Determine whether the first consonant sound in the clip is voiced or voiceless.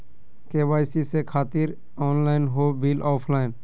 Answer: voiceless